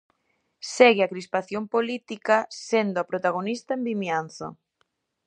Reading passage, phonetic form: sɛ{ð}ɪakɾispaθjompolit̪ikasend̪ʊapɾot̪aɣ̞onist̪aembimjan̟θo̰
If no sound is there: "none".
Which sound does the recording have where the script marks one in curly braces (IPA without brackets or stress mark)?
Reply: ɣ